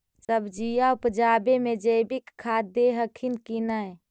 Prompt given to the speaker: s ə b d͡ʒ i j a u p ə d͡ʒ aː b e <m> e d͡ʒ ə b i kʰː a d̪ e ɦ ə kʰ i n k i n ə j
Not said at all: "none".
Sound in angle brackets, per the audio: m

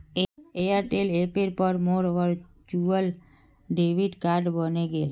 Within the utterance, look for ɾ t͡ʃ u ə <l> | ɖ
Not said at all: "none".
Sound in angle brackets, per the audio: l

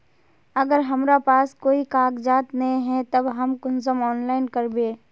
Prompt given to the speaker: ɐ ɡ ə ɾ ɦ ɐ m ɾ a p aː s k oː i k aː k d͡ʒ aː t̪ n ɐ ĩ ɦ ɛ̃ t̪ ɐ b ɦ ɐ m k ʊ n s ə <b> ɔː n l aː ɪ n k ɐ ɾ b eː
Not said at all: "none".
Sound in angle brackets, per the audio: m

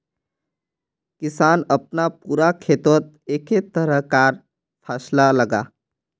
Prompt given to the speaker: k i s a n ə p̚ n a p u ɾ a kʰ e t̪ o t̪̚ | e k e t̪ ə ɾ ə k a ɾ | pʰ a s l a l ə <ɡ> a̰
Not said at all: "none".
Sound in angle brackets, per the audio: ɡ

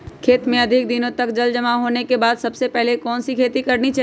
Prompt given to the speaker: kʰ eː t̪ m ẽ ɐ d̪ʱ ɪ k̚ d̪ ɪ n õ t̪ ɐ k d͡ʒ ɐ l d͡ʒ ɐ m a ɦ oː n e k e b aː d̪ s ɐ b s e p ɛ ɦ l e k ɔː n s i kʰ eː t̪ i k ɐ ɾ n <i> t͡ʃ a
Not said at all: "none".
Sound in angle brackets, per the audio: i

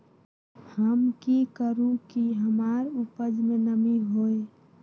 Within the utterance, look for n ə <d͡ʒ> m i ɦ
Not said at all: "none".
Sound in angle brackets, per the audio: none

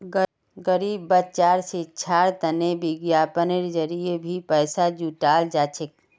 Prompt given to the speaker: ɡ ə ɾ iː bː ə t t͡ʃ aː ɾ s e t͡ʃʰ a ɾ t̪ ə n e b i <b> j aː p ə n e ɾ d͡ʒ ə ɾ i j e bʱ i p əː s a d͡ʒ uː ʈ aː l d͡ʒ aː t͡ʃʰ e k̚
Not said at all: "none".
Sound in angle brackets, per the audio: ɡ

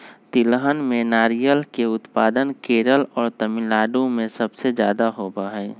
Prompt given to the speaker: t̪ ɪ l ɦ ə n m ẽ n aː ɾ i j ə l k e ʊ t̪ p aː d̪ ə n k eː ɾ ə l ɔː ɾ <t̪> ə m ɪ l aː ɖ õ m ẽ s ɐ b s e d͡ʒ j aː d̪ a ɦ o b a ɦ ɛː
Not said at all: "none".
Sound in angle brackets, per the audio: t̪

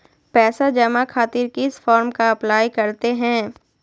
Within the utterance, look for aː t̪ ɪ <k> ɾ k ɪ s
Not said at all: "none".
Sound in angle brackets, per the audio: none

